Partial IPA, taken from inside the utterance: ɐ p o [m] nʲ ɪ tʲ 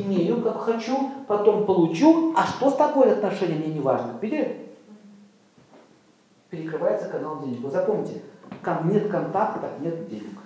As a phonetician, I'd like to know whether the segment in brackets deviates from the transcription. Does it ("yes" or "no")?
no